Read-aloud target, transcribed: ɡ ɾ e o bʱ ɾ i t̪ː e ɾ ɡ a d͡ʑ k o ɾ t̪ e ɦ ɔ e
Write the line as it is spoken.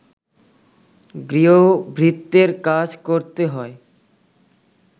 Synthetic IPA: ɡ ɾ i o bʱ ɾ i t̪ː e ɾ k a d͡ʑ k o ɾ t̪ e ɦ ɔ e